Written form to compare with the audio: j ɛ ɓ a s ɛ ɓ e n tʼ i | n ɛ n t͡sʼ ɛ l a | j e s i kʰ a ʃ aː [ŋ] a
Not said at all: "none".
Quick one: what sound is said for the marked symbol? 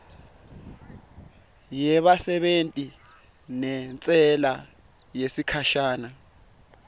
n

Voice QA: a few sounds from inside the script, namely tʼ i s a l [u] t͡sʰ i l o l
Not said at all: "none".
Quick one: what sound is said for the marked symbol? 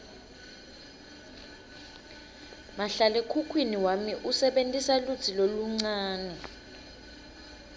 u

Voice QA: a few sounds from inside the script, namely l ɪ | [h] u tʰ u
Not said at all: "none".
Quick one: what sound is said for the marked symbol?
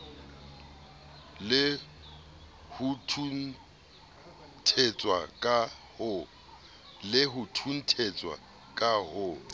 h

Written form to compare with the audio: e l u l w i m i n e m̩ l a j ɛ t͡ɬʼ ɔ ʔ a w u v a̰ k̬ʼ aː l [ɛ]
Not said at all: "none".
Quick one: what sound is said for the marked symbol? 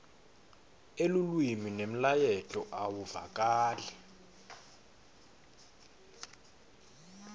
ɛ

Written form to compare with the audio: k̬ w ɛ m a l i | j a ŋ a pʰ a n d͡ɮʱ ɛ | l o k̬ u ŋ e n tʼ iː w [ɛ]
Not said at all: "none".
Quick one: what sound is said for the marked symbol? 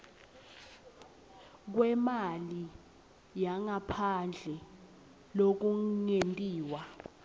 a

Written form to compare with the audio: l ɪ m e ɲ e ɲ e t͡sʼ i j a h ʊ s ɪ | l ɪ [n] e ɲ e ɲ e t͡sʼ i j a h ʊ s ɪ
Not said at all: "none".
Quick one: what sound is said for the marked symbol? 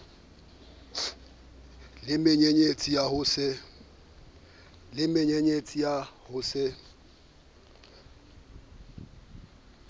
m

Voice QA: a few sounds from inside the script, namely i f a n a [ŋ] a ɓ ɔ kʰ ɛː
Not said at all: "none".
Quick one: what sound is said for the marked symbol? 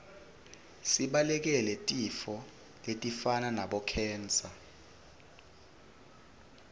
n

